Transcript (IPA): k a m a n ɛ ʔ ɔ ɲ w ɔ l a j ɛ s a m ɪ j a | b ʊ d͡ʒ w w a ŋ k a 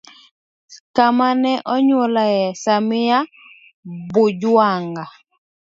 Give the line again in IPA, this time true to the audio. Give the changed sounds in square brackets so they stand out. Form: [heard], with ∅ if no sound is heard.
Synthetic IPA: k a m a n ɛ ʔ ɔ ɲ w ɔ l a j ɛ s a m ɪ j a | b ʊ d͡ʒ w w a ŋ [ɡ] a